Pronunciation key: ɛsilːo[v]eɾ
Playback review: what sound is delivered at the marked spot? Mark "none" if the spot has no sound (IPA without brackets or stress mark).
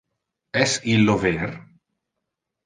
v